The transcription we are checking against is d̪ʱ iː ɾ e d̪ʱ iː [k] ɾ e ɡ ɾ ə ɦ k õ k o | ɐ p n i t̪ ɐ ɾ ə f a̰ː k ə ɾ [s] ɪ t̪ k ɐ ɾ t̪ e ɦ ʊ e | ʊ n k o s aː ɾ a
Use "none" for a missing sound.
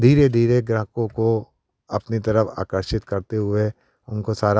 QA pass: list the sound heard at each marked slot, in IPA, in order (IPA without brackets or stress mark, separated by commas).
none, ʃ